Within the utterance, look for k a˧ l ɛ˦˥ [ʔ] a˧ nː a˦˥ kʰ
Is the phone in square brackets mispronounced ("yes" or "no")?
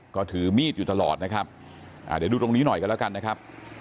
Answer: yes